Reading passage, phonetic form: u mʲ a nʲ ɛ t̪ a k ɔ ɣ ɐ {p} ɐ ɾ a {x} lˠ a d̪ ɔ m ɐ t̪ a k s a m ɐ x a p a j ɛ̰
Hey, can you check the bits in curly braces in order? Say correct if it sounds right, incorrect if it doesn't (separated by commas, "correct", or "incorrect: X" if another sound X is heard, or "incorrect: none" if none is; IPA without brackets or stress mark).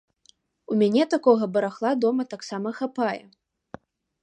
incorrect: b, correct